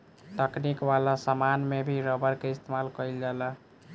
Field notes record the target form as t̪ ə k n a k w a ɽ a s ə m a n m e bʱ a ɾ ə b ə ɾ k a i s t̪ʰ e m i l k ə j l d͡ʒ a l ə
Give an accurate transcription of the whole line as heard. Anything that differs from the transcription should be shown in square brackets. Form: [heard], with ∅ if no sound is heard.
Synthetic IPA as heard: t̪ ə k n [i] k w a [l] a s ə m a n m e bʱ [i] ɾ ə b ə ɾ k [e] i s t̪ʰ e m [a] l k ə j l d͡ʒ a l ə